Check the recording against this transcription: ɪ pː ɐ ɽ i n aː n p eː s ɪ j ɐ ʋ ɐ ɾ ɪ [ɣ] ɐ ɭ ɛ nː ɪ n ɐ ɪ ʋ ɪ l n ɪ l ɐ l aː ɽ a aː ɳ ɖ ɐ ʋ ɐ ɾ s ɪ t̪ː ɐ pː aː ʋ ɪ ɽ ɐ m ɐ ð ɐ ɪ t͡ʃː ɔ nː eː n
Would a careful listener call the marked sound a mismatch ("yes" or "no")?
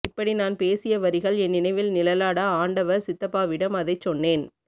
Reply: no